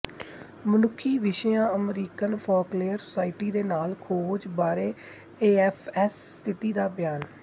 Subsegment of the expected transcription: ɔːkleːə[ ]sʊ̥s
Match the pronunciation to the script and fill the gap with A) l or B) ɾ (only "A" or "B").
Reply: B